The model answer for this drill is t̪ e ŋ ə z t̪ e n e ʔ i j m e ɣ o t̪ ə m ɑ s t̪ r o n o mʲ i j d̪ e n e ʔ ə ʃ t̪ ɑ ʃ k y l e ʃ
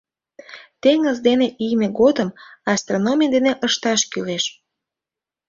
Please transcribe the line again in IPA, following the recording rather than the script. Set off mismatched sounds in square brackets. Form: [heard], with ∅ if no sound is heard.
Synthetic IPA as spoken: t̪ e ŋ ə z [d̪] e n e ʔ i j m e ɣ o [d̪] ə m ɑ s t̪ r o n o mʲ i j d̪ e n e ʔ ə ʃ t̪ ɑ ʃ k y l e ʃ